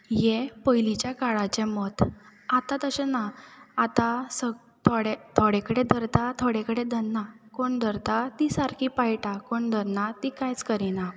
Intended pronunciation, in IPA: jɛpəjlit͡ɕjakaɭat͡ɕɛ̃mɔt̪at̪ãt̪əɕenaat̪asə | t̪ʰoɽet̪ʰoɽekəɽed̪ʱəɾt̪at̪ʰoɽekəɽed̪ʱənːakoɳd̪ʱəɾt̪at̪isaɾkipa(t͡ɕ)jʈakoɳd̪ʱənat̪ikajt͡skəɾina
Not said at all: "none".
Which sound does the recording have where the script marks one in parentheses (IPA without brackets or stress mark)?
none